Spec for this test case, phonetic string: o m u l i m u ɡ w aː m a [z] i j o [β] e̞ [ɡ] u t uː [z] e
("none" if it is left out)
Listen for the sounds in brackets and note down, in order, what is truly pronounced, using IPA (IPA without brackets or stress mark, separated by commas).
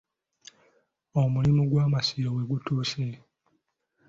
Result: s, w, ɡ, s